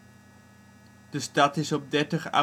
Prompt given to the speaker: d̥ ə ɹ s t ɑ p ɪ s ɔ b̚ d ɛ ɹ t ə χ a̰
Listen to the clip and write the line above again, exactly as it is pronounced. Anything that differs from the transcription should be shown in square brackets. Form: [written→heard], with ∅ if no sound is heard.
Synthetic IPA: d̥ ə [ɹ→∅] s t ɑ [p→t] ɪ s ɔ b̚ d ɛ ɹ t ə χ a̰